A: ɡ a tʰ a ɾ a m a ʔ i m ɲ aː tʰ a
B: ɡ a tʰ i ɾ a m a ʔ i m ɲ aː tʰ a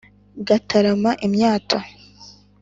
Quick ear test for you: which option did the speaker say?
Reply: A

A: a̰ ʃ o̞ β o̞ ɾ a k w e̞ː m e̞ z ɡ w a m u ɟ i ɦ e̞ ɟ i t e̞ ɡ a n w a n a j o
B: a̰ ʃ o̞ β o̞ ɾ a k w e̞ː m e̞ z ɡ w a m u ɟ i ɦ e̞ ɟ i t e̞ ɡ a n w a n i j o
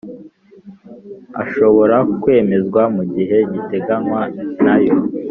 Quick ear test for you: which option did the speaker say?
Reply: A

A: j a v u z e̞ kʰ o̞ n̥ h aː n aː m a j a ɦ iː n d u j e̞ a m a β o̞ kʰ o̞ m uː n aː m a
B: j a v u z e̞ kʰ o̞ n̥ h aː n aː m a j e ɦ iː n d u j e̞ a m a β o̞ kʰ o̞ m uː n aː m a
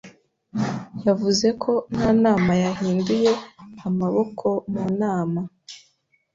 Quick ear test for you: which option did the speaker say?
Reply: A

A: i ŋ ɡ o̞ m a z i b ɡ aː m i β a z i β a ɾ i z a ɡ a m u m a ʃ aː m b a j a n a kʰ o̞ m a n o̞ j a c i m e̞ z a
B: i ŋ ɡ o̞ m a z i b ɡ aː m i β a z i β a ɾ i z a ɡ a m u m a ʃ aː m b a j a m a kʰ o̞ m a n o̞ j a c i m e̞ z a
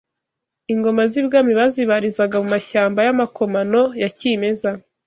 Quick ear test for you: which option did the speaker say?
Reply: B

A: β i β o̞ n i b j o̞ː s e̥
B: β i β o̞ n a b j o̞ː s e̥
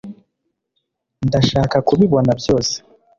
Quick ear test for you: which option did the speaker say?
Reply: B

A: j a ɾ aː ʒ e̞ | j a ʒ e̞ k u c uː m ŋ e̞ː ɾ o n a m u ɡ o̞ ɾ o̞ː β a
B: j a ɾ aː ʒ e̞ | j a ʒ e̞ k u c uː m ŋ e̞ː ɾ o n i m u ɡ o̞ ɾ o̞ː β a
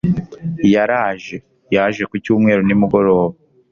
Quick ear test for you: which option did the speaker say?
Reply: B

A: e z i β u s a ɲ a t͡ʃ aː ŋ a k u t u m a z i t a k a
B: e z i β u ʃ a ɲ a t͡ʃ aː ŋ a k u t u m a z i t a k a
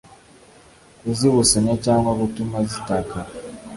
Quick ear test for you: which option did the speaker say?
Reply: A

